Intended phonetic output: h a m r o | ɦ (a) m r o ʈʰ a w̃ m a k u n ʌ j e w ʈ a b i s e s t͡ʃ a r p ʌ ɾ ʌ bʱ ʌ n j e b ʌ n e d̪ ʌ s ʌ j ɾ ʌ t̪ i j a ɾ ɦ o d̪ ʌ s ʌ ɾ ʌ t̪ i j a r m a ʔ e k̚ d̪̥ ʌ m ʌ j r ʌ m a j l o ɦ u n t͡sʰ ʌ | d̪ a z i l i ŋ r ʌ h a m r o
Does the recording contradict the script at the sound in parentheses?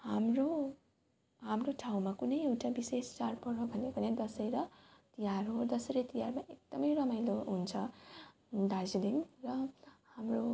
no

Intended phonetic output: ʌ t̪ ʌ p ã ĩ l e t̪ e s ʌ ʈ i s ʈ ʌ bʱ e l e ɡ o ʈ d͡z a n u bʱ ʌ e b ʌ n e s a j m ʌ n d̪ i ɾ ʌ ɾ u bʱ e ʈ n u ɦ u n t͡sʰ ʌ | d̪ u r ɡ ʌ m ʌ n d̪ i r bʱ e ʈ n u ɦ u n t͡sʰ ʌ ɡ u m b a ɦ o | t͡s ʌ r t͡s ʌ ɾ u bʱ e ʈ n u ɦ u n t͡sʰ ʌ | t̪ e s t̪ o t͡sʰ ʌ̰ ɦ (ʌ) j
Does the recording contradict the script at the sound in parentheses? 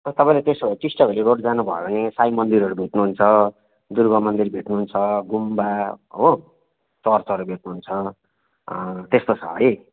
no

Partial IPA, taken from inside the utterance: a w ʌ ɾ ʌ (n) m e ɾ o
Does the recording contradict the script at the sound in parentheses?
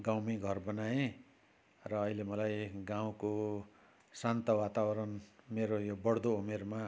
no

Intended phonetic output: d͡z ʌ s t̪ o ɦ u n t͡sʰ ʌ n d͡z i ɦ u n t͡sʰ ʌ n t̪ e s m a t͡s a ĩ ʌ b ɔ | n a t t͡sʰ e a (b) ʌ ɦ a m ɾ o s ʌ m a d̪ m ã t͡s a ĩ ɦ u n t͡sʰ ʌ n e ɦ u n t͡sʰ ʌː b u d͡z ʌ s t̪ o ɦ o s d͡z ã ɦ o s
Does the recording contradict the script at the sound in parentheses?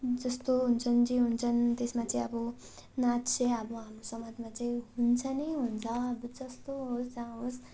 no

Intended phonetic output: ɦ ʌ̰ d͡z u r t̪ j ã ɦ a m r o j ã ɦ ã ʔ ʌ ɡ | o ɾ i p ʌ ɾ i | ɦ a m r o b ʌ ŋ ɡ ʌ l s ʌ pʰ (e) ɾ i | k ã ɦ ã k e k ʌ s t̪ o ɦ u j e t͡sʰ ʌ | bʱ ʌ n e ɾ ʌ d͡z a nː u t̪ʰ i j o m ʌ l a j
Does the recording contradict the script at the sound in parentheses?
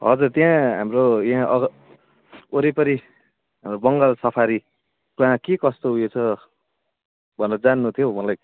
yes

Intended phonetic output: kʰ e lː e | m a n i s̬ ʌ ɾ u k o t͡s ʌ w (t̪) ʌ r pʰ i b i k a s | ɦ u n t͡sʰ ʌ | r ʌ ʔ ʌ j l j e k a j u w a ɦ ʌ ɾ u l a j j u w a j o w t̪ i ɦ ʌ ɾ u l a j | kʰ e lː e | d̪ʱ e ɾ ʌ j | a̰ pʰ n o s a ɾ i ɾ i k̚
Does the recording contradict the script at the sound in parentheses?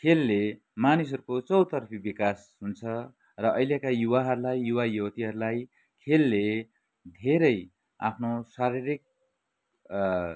no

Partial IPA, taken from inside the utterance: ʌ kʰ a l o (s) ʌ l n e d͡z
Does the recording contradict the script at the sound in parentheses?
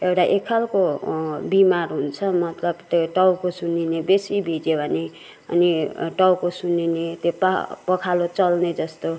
yes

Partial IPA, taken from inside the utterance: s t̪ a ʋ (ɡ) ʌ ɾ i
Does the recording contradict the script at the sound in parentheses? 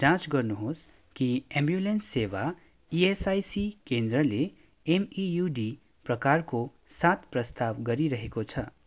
no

